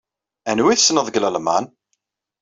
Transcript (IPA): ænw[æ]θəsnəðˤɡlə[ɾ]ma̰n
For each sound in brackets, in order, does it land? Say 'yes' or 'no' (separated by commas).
no, no